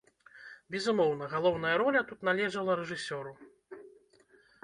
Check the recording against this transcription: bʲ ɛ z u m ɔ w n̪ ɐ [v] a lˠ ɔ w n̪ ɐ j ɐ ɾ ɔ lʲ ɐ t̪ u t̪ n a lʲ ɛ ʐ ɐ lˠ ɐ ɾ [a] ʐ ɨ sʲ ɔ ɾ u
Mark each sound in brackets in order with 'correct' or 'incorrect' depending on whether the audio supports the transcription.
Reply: incorrect, incorrect

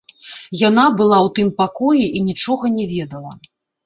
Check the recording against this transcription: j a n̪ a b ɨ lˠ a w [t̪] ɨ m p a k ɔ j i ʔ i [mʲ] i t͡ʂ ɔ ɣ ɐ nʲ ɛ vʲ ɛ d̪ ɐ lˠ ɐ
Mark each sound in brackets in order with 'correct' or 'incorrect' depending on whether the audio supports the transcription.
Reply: correct, incorrect

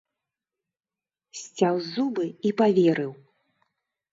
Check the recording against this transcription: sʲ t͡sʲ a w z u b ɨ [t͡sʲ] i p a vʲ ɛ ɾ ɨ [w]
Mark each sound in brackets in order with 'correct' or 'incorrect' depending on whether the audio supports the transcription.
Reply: incorrect, correct

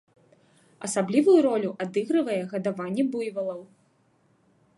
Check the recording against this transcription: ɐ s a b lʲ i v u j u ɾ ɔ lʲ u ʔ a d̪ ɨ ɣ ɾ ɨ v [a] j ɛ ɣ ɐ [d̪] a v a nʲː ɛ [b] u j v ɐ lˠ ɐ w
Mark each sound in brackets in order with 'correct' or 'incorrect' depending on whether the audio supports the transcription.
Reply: incorrect, correct, correct

